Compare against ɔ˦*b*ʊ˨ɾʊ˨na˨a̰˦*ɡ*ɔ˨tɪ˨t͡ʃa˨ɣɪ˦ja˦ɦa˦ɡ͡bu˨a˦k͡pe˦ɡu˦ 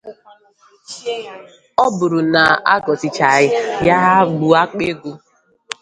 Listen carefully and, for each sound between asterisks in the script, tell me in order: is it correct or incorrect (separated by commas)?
correct, correct